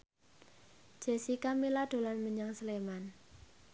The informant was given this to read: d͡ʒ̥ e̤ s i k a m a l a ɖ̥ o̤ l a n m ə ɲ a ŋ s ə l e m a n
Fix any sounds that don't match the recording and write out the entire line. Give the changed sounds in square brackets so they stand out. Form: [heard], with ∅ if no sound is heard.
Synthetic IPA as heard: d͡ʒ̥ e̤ s i k a m [i] l a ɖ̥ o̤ l a n m ə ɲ a ŋ s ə l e m a n